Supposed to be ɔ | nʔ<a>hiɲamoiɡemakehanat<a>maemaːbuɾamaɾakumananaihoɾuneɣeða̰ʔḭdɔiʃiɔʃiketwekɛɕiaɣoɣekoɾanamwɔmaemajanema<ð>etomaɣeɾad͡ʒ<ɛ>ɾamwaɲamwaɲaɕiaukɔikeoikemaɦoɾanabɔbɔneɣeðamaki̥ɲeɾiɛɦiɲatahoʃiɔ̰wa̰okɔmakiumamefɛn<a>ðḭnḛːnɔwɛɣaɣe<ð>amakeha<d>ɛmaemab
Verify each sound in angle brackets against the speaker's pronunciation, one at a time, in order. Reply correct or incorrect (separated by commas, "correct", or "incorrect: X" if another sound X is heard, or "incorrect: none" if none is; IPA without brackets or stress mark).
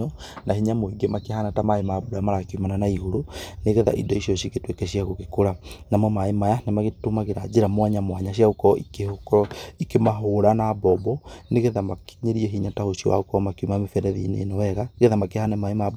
correct, correct, incorrect: ɣ, incorrect: e, incorrect: ɛ, correct, incorrect: n